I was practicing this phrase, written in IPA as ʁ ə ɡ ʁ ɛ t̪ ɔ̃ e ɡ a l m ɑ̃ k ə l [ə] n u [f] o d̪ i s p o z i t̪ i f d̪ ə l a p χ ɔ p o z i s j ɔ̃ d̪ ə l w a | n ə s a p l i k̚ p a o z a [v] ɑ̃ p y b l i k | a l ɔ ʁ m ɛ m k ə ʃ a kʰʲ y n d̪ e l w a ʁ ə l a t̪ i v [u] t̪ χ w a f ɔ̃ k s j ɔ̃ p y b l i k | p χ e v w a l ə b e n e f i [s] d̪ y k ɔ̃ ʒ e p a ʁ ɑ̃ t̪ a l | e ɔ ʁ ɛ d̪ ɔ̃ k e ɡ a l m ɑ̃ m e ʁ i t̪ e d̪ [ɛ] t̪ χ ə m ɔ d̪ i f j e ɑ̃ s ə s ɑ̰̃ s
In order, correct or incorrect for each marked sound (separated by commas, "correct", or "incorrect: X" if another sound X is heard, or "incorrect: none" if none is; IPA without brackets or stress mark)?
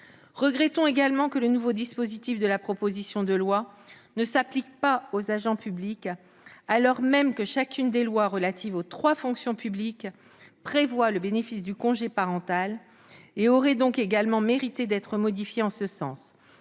correct, incorrect: v, incorrect: ʒ, incorrect: o, correct, correct